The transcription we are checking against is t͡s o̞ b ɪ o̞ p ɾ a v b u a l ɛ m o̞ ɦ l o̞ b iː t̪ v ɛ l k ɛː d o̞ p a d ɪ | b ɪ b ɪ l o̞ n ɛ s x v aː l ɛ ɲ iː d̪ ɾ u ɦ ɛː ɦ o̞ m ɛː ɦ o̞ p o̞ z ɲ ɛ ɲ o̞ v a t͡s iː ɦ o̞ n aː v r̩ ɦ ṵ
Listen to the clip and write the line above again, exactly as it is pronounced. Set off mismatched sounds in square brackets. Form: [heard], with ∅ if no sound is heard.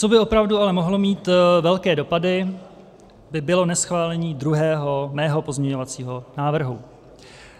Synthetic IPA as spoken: t͡s o̞ b ɪ o̞ p ɾ a v [d] u a l ɛ m o̞ ɦ l o̞ [m] iː t̪ v ɛ l k ɛː d o̞ p a d ɪ | b ɪ b ɪ l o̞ n ɛ s x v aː l ɛ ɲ iː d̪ ɾ u ɦ ɛː ɦ o̞ m ɛː ɦ o̞ p o̞ z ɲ ɛ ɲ o̞ v a t͡s iː ɦ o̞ n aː v r̩ ɦ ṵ